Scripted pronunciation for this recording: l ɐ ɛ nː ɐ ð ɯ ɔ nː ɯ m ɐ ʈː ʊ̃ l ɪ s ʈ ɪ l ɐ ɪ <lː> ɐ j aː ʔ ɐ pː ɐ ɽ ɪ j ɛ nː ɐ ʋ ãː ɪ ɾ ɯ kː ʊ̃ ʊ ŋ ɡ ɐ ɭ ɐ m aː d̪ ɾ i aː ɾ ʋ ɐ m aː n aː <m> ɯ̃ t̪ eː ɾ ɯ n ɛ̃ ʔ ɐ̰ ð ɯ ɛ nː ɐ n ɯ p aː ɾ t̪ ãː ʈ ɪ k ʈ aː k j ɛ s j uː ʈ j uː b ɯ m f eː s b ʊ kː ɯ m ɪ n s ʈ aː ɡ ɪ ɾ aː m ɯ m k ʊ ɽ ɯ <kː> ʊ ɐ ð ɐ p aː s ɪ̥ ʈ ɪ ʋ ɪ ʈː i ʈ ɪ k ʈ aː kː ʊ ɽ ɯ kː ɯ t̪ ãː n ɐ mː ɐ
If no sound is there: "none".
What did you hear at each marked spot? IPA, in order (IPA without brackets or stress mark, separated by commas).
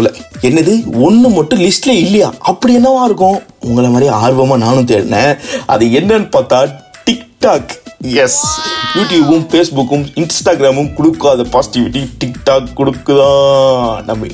lː, n, kː